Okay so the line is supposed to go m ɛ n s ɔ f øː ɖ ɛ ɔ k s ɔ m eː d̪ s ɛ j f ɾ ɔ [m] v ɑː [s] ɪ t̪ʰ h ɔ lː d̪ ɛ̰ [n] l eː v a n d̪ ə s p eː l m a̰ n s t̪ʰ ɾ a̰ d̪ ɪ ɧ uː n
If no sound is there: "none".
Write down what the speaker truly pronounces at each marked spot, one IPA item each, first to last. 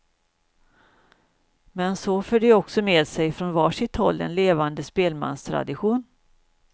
n, ʂ, n

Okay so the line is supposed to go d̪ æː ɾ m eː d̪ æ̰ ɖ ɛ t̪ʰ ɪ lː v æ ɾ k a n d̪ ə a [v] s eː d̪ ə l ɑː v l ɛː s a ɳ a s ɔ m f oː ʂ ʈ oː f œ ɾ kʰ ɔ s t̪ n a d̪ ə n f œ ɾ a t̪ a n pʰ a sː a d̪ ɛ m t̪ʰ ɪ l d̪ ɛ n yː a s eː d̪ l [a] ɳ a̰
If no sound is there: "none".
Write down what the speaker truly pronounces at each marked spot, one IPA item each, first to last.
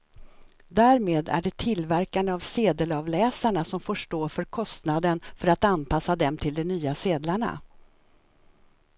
v, a

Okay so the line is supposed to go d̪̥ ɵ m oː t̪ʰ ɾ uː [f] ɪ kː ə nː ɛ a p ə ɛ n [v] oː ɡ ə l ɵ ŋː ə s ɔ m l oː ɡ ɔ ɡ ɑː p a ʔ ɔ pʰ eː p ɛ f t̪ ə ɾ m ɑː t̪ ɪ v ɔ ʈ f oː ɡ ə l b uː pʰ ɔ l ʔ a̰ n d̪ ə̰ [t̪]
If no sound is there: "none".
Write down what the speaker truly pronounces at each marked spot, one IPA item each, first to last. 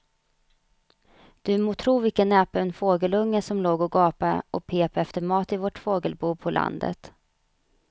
v, f, t̪

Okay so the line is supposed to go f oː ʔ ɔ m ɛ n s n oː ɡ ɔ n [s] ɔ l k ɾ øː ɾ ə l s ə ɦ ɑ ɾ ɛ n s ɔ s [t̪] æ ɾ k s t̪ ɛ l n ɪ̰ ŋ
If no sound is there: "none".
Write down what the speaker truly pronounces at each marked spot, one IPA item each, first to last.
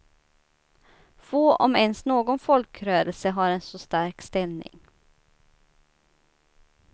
f, t̪

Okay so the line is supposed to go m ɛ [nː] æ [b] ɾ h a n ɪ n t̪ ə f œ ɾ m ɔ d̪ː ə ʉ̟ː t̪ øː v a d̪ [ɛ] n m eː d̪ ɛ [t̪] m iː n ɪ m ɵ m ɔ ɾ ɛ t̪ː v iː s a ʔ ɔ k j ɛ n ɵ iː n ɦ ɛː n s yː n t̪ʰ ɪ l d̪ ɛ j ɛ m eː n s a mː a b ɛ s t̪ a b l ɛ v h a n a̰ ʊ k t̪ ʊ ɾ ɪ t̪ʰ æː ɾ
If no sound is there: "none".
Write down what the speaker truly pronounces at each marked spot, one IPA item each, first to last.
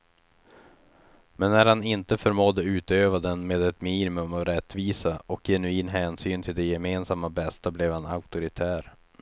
nː, none, ɛ, t̪

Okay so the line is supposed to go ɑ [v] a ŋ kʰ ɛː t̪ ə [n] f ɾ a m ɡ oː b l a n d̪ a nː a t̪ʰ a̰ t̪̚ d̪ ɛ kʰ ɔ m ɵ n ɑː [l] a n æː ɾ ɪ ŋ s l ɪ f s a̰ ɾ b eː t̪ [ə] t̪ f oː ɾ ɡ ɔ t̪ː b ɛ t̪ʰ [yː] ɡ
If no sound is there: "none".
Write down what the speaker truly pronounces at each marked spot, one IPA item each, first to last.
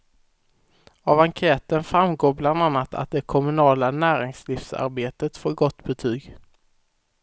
v, n, l, ə, yː

